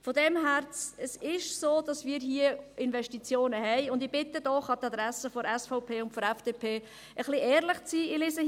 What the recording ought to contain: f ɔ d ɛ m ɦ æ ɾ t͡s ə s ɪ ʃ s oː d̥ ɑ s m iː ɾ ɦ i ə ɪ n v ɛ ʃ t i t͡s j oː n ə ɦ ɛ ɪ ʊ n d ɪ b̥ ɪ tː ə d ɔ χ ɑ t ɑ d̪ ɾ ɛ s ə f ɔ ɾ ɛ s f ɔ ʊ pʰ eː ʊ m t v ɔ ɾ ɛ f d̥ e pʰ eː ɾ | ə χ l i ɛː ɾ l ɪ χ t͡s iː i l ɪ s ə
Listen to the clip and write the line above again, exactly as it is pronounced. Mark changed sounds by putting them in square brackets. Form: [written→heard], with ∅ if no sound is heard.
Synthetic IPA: f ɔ d ɛ m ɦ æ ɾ t͡s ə s ɪ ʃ s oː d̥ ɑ s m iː ɾ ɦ i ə ɪ n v ɛ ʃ t i t͡s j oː n ə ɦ ɛ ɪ ʊ n d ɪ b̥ ɪ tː ə d ɔ χ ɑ t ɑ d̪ ɾ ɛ s ə f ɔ ɾ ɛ s f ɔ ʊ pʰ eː ʊ [m→n] t [v→f] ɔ ɾ ɛ f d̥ e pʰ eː [ɾ→∅] | ə χ l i ɛː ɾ l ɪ χ t͡s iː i l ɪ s ə